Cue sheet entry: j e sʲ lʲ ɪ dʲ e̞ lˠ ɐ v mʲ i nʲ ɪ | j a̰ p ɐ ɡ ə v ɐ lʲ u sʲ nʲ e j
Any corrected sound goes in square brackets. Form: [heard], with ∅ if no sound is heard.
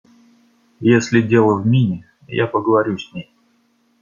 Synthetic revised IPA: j e sʲ lʲ ɪ dʲ e̞ lˠ [ə] v mʲ i nʲ ɪ | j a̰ p [ə] ɡ ə v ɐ [ɾʲ] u sʲ nʲ e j